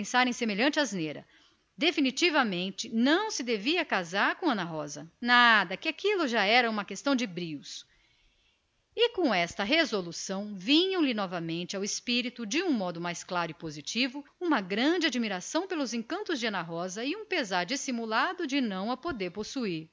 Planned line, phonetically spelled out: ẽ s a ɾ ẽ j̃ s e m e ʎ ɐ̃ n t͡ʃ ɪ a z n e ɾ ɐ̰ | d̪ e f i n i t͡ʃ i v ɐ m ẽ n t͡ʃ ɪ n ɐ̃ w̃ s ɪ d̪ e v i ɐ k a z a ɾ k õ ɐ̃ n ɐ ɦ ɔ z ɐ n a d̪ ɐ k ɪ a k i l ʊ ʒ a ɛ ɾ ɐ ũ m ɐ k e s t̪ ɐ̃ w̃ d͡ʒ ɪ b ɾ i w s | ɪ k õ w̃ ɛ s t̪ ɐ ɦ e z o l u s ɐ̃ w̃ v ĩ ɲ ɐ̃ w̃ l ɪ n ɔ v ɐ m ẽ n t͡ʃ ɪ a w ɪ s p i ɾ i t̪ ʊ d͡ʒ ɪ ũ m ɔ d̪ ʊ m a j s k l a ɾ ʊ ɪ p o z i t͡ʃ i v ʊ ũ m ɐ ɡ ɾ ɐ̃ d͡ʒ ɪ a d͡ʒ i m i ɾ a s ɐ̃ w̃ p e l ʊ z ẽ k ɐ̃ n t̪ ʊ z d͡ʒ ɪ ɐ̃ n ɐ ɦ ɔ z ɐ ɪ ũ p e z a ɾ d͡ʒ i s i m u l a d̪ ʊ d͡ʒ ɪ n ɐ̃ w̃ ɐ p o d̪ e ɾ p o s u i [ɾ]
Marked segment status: correct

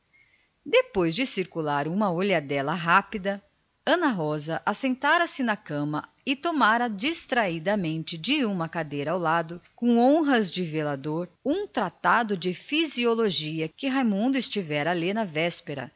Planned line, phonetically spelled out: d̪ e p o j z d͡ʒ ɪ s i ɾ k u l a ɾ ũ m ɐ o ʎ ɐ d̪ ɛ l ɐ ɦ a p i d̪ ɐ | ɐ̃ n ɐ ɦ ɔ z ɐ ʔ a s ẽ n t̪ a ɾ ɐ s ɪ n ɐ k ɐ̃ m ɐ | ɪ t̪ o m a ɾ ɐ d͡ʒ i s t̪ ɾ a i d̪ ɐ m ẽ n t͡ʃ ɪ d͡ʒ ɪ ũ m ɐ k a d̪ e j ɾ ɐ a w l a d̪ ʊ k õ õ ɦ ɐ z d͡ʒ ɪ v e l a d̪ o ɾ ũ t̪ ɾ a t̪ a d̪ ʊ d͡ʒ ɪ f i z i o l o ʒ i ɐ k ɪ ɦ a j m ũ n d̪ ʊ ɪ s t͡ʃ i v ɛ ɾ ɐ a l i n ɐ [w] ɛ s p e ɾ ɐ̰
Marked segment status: incorrect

